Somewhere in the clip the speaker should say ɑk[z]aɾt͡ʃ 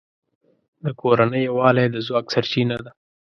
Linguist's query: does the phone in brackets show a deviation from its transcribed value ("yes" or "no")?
yes